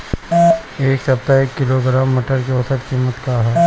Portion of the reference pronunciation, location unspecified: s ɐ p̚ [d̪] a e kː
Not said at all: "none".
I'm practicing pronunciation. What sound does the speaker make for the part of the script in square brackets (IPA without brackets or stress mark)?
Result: t̪